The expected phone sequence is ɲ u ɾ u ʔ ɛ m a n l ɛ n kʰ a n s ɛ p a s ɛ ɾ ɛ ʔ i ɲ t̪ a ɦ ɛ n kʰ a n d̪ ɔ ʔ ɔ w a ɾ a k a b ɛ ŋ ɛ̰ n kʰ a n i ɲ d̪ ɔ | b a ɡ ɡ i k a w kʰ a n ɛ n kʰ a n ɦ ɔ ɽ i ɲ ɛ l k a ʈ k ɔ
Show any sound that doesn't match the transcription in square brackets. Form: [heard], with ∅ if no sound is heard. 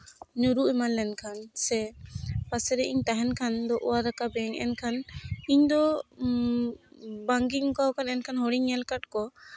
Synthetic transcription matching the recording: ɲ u ɾ u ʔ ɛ m a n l ɛ n kʰ a n s ɛ p a s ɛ ɾ ɛ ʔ i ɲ t̪ a ɦ ɛ n kʰ a n d̪ ɔ ʔ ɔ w a ɾ a k a b ɛ ŋ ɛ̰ n kʰ a n i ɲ d̪ ɔ | b a [ŋ] ɡ i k a w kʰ a n ɛ n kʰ a n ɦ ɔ ɽ i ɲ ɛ l k a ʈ k ɔ